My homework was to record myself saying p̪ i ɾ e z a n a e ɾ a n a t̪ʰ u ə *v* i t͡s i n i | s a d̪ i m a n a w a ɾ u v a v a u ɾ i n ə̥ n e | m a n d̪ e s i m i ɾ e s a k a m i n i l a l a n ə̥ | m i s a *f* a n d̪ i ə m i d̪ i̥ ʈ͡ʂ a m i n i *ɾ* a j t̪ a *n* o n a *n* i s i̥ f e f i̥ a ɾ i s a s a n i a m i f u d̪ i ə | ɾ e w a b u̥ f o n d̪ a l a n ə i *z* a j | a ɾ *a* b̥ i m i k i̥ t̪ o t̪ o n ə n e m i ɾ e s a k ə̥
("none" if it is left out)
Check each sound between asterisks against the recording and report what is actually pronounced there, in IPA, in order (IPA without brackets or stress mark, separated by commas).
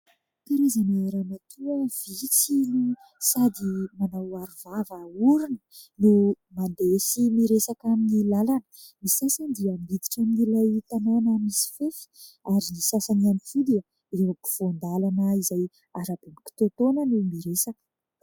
v, s, l, n, m, z, a